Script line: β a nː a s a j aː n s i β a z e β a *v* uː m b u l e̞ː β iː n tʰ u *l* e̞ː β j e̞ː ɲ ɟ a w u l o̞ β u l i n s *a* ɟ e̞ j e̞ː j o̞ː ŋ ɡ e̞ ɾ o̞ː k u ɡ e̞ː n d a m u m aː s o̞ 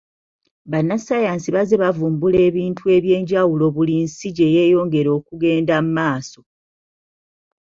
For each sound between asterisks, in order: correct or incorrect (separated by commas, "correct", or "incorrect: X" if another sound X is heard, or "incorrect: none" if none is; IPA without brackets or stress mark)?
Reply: correct, incorrect: none, incorrect: i